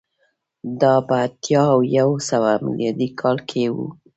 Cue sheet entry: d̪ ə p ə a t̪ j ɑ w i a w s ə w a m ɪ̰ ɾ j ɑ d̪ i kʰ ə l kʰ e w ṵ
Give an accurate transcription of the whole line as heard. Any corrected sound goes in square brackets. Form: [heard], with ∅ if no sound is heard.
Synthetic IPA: d̪ [ɑ] p ə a t̪ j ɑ w [j] a w s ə w a m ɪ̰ [l] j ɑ d̪ i kʰ [ɑ] l kʰ e w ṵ